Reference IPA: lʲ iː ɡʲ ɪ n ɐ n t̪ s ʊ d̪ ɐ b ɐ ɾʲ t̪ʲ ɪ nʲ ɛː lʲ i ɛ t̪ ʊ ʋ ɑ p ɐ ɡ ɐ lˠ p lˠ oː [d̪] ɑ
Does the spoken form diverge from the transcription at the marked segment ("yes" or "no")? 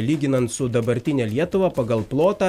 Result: yes